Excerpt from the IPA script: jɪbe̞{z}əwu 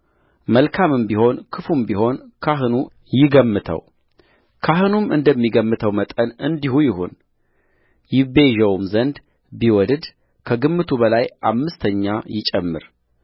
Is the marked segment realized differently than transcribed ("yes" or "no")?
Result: yes